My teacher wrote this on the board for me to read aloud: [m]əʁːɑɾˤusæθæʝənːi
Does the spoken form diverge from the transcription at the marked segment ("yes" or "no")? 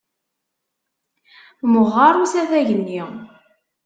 no